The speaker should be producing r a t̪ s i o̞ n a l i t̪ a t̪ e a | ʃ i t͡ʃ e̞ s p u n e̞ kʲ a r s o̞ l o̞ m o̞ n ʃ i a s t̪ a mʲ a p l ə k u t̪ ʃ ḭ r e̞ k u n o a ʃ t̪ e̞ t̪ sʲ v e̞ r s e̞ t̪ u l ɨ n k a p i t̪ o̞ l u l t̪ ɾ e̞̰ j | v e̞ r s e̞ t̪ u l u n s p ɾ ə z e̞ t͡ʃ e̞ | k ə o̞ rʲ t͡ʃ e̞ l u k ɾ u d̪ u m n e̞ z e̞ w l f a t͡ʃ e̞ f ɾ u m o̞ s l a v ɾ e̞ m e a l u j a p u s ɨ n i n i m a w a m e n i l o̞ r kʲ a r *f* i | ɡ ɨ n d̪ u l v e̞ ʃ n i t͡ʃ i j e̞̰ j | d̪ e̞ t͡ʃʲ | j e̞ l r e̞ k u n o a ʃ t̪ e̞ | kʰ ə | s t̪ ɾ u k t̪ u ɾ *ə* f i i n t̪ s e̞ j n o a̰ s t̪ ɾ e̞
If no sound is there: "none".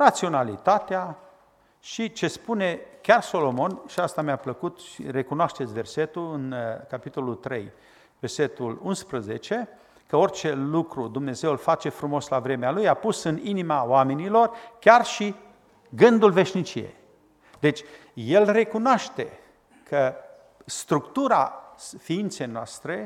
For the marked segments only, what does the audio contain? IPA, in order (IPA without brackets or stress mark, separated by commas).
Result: ʃ, a